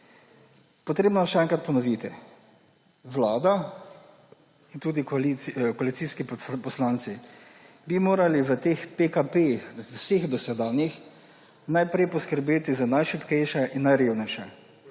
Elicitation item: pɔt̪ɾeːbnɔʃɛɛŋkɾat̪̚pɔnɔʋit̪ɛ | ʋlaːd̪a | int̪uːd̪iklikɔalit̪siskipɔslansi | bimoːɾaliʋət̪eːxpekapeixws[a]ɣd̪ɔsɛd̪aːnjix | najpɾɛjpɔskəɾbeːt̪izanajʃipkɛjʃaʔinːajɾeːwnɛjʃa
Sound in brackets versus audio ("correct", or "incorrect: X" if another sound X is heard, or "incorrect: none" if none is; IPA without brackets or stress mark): incorrect: e